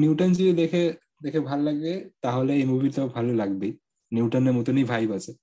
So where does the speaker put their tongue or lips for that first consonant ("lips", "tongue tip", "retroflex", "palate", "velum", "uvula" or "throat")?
tongue tip